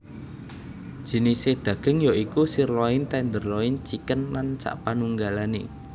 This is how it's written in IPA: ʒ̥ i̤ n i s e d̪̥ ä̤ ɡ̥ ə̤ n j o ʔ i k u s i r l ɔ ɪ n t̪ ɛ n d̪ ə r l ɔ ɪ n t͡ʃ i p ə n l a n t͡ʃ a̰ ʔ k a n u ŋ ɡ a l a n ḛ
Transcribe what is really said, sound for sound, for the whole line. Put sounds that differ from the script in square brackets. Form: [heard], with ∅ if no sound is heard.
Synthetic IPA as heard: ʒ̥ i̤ n i s e d̪̥ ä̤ ɡ̥ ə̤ [ŋ] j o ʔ i k u s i r l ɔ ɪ n t̪ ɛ n d̪ ə r l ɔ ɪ n t͡ʃ i [k] ə n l a n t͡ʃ a̰ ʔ [p] a n u ŋ ɡ a l a n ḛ